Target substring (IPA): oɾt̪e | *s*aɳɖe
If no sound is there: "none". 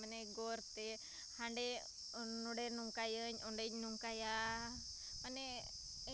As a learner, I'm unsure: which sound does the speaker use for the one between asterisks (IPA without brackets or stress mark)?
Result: h